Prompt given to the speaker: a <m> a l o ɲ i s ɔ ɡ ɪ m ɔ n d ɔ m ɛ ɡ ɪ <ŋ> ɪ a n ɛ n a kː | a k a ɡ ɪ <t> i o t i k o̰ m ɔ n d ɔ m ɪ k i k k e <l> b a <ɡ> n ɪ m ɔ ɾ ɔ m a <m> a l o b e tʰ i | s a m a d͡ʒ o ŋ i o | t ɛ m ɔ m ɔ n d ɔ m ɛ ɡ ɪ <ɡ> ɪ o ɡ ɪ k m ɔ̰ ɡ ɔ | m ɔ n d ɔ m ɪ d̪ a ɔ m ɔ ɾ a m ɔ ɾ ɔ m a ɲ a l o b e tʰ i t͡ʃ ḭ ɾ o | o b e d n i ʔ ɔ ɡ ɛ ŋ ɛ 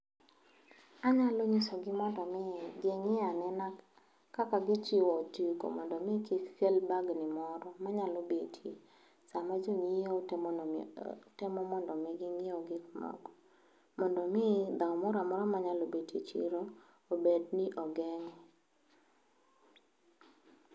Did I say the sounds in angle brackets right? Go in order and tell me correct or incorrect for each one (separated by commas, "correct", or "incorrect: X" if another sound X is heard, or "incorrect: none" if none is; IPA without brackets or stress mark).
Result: incorrect: ɲ, correct, incorrect: t͡ʃ, correct, correct, incorrect: ɲ, incorrect: ŋ